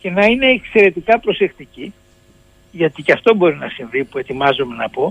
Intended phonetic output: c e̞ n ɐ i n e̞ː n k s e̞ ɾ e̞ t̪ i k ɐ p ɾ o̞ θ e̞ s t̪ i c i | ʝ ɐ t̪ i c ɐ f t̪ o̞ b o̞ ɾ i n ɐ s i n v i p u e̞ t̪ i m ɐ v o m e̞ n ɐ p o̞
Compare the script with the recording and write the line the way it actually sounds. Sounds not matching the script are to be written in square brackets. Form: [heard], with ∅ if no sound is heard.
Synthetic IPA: c e̞ n ɐ i n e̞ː [∅] k s e̞ ɾ e̞ t̪ i k ɐ p ɾ o̞ [s] e̞ [x] t̪ i c i | ʝ ɐ t̪ i c ɐ f t̪ o̞ b o̞ ɾ i n ɐ s i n v i p u e̞ t̪ i m ɐ [z] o m e̞ n ɐ p o̞